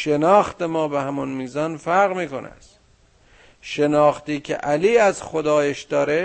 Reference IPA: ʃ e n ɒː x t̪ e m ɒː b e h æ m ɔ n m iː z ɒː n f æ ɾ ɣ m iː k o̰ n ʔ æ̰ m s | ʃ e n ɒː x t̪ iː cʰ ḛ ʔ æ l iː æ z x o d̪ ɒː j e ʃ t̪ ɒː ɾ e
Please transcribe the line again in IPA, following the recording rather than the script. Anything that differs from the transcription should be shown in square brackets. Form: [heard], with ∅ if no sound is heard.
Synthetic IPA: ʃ e n ɒː x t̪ e m ɒː b e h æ m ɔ n m iː z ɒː n f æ ɾ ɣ m iː k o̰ n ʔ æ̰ [∅] s | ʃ e n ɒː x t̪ iː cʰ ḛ ʔ æ l iː æ z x o d̪ ɒː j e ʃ [d̪] ɒː ɾ e